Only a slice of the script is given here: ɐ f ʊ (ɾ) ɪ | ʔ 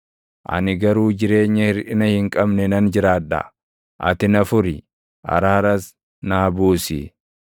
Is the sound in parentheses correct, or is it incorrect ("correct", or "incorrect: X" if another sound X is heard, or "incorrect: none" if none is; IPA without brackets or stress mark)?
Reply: correct